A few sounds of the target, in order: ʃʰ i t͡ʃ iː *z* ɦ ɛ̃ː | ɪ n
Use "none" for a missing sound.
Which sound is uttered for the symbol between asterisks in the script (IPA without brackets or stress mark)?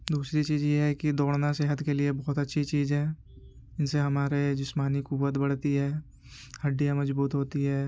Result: z